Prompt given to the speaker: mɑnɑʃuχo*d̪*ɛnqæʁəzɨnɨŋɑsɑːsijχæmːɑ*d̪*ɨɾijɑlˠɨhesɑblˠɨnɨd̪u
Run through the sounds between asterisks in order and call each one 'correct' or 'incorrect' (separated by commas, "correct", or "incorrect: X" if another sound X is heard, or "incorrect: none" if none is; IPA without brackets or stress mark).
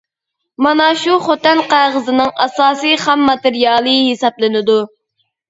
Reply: incorrect: t̪, incorrect: t̪